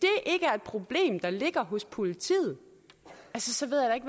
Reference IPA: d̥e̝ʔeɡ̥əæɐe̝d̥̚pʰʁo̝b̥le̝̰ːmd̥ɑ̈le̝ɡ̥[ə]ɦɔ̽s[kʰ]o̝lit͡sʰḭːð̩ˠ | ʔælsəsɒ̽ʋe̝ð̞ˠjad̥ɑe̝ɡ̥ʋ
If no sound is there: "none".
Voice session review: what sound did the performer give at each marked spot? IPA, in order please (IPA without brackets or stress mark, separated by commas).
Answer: ɐ, pʰ